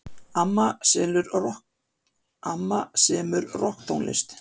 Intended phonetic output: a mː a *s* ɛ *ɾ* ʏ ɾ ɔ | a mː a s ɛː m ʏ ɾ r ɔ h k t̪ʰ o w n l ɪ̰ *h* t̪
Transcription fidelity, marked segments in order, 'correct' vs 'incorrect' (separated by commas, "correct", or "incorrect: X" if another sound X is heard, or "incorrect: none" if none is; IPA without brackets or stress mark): correct, incorrect: l, incorrect: s